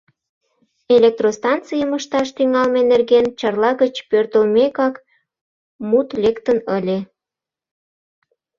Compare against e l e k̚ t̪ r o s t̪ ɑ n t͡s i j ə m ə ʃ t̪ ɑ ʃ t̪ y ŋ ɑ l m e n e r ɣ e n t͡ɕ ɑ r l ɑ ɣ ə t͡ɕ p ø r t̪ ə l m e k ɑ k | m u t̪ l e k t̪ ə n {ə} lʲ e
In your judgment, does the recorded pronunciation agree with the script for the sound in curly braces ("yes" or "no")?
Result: yes